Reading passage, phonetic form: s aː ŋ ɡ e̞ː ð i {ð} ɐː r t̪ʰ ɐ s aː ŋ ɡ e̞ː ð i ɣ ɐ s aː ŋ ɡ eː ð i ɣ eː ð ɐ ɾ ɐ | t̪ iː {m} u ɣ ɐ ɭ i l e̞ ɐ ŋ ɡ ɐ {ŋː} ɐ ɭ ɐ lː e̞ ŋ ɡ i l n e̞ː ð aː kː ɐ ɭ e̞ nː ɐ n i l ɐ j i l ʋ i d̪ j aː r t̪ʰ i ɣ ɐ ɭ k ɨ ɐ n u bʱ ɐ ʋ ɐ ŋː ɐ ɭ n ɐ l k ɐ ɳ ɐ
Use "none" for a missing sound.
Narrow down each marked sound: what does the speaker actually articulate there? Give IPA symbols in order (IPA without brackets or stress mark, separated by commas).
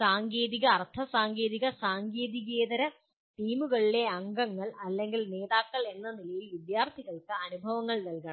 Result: ɣ, m, ŋː